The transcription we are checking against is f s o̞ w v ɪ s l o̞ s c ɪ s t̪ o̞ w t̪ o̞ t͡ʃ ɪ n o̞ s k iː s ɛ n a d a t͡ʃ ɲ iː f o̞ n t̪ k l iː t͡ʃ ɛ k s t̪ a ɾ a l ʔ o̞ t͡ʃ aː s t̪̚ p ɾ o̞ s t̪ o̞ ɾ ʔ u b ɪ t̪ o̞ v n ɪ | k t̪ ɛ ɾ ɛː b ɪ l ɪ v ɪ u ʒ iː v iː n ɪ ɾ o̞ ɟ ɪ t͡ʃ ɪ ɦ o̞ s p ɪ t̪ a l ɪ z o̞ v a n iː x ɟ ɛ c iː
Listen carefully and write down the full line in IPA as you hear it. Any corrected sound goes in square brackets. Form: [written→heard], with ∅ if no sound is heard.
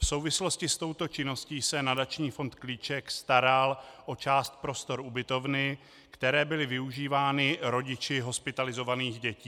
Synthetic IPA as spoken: f s o̞ w v ɪ s l o̞ s c ɪ s t̪ o̞ w t̪ o̞ t͡ʃ ɪ n o̞ s [k→c] iː s ɛ n a d a t͡ʃ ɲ iː f o̞ n t̪ k l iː t͡ʃ ɛ k s t̪ a ɾ a l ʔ o̞ t͡ʃ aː s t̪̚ p ɾ o̞ s t̪ o̞ ɾ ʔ u b ɪ t̪ o̞ v n ɪ | k t̪ ɛ ɾ ɛː b ɪ l ɪ v ɪ u ʒ iː v [iː→aː] n ɪ ɾ o̞ ɟ ɪ t͡ʃ ɪ ɦ o̞ s p ɪ t̪ a l ɪ z o̞ v a n iː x ɟ ɛ c iː